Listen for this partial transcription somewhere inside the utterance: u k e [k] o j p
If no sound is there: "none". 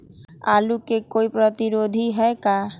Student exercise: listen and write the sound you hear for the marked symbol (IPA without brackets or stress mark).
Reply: k